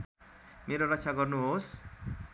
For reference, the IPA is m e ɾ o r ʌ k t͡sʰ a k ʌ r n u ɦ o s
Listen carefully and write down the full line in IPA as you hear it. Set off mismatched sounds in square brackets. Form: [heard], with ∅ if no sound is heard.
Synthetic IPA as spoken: m e ɾ o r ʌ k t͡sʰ a [ɡ] ʌ r n u ɦ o s